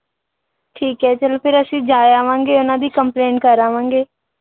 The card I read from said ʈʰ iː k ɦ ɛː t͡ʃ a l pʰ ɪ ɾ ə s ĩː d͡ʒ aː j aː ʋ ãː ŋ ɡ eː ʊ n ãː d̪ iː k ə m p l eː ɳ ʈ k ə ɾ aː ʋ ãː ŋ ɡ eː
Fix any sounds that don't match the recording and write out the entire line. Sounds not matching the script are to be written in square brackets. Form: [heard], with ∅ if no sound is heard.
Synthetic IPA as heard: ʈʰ iː k ɦ ɛː t͡ʃ [ə] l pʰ ɪ ɾ ə s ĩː d͡ʒ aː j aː ʋ ãː ŋ ɡ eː ʊ n ãː d̪ iː k ə m p l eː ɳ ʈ k ə ɾ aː ʋ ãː ŋ ɡ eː